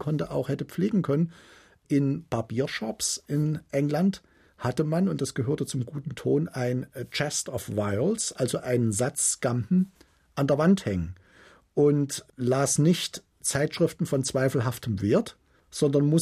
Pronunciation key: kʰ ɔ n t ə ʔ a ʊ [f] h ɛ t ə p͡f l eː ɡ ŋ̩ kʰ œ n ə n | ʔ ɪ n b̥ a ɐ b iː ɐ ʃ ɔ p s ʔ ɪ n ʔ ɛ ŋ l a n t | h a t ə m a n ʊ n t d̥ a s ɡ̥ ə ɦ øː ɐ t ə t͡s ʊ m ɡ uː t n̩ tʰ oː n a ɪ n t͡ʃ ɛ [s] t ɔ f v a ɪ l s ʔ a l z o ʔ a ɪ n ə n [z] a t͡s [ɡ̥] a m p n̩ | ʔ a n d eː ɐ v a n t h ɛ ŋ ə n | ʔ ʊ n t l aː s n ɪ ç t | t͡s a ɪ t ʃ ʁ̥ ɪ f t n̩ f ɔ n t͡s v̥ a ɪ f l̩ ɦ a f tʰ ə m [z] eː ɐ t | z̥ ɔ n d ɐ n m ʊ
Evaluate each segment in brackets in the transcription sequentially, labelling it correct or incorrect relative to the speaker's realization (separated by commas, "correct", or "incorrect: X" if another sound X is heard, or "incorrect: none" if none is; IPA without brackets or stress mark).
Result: incorrect: x, correct, correct, correct, incorrect: v